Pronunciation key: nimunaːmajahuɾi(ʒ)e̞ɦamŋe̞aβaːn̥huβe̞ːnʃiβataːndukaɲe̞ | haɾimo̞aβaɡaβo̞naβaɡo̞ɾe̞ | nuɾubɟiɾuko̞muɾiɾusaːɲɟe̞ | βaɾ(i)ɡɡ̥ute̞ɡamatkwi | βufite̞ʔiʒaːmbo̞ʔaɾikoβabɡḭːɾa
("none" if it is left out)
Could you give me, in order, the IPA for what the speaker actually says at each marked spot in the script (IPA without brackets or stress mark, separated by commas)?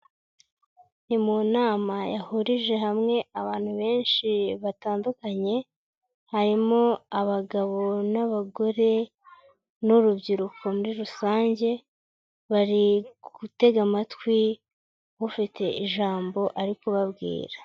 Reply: ʒ, i